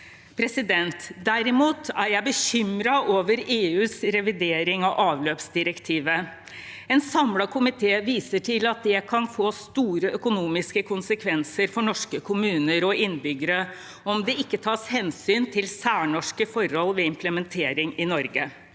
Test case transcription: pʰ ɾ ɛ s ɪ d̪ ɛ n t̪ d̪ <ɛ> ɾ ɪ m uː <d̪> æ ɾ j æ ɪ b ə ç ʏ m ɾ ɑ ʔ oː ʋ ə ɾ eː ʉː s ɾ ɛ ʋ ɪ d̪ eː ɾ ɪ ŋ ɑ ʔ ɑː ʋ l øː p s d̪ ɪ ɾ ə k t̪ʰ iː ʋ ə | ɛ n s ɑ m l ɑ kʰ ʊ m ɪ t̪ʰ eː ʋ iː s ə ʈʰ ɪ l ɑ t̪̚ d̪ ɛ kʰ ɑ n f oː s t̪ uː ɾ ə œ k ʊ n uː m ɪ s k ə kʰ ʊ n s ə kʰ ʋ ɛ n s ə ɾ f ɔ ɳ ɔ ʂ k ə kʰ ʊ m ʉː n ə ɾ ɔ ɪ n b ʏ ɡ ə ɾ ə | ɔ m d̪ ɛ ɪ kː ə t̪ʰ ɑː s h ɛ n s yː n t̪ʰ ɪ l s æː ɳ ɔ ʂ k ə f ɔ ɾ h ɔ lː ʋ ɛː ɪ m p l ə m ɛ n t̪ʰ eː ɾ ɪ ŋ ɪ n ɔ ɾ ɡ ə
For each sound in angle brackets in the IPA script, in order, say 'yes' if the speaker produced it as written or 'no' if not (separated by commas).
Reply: no, no